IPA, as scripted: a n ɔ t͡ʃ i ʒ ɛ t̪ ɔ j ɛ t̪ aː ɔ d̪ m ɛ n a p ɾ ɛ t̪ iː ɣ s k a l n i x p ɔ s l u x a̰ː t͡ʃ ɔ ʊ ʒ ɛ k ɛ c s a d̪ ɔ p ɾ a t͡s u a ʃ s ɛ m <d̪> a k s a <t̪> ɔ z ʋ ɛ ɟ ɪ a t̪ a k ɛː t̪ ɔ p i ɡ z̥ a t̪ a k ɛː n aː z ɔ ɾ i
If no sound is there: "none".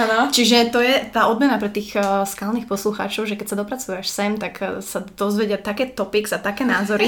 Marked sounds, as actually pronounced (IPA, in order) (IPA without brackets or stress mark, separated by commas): t̪, d̪